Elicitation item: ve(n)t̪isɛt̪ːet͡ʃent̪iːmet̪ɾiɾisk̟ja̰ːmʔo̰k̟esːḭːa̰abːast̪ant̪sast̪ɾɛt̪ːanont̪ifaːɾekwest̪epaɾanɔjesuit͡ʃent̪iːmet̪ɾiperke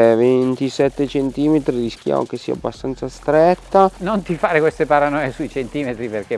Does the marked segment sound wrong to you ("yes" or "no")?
no